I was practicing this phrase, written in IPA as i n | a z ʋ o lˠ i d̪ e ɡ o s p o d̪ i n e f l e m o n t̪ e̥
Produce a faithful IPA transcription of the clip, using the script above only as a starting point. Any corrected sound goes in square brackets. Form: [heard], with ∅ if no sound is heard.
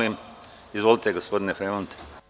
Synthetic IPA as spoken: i [m] | [i] z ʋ o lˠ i [t̪] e ɡ o s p o d̪ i n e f [ɾ] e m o n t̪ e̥